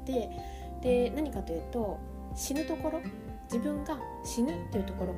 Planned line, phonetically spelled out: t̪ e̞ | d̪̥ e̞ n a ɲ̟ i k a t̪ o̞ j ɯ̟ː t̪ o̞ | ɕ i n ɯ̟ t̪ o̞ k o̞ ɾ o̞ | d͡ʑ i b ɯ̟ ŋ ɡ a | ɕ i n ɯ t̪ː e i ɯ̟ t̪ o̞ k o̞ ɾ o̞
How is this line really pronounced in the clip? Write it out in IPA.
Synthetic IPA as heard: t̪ e̞ | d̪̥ e̞ n a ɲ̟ i k a t̪ o̞ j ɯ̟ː t̪ o̞ | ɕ i n ɯ̟ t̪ o̞ k o̞ ɾ o̞ | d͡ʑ i b ɯ̟̃ ŋ ɡ a | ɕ i n ɯ t̪ː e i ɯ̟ t̪ o̞ k o̞ ɾ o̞